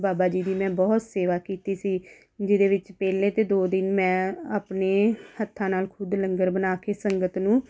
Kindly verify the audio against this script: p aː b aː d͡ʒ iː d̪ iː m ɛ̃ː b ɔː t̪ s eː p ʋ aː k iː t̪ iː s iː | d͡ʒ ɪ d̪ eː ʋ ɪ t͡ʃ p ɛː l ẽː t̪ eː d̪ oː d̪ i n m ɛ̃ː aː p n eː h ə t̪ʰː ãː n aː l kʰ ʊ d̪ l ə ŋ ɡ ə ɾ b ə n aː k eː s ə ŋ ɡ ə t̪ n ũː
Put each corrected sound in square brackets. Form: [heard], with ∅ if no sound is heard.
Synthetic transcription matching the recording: [b] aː b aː d͡ʒ iː d̪ iː m ɛ̃ː b ɔː t̪ s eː [∅] ʋ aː k iː t̪ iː s iː | d͡ʒ ɪ d̪ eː ʋ ɪ t͡ʃ p ɛː l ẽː t̪ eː d̪ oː d̪ [ɪ] n m ɛ̃ː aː p n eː h ə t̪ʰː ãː n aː l kʰ ʊ d̪ l ə ŋ ɡ ə ɾ b ə n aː k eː s ə ŋ ɡ ə t̪ n ũː